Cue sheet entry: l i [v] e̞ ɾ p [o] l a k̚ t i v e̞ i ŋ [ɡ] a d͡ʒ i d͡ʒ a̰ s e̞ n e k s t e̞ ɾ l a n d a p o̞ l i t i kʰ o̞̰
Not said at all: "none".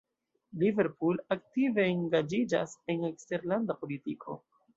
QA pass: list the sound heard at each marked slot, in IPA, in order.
v, u, ɡ

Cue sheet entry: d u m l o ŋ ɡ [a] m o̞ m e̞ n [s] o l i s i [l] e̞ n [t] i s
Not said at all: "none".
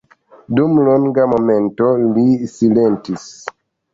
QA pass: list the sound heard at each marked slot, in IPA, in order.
a, t, l, t

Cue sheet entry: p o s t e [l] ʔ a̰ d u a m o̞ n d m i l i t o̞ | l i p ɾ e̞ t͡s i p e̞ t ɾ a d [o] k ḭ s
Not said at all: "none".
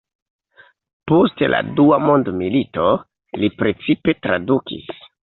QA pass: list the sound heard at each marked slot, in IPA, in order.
l, u

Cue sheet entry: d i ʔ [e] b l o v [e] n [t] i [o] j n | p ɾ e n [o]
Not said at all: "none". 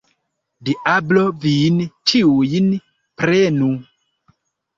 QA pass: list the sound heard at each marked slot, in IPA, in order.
a, i, t͡ʃ, u, u

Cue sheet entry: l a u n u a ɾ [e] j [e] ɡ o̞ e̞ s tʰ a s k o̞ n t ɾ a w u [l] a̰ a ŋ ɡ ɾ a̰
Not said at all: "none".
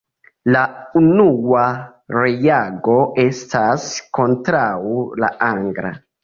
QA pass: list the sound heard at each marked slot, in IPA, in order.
e, a, l

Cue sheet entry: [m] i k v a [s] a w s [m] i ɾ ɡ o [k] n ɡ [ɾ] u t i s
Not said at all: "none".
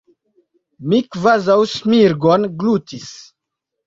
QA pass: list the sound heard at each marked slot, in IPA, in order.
m, z, m, none, l

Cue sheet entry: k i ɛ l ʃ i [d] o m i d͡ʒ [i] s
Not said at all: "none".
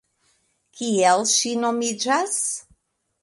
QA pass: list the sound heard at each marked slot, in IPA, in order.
n, a

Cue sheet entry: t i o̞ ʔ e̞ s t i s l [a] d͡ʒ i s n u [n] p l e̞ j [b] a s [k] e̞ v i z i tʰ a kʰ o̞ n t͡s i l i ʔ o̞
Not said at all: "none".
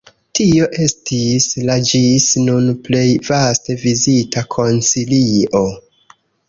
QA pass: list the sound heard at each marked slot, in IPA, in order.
a, n, v, t

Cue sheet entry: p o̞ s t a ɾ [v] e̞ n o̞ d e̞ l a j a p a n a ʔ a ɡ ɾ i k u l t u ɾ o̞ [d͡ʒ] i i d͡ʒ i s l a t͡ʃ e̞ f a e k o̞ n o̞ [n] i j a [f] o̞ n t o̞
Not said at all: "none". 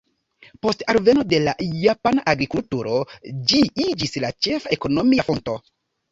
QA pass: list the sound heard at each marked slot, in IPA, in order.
v, d͡ʒ, m, f

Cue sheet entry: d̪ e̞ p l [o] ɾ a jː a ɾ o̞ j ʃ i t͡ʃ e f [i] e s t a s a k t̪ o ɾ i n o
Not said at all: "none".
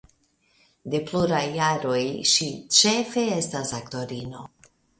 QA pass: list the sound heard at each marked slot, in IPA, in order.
u, e

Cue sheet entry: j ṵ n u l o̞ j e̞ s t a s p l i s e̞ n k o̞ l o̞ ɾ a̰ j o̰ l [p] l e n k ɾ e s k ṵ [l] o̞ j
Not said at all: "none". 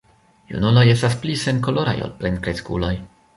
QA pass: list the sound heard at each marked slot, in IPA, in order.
p, l

